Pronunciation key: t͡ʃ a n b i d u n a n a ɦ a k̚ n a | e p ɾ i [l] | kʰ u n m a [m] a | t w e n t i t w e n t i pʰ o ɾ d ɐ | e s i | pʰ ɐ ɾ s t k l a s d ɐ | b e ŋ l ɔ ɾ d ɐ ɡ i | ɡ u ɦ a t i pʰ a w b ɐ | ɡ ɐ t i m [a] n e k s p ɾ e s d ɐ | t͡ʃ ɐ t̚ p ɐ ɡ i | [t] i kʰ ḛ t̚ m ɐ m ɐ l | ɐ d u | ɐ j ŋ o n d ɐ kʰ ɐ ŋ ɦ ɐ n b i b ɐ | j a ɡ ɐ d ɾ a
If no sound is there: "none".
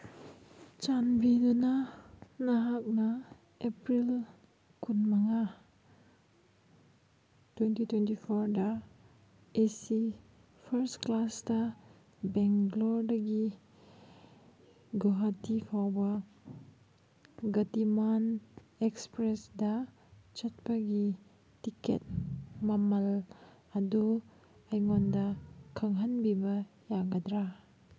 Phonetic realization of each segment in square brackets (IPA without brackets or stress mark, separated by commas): l, ŋ, a, t